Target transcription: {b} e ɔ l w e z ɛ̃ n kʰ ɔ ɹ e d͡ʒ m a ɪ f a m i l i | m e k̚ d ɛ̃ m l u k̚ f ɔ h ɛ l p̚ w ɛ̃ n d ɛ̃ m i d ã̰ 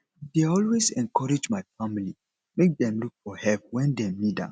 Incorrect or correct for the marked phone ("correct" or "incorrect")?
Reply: incorrect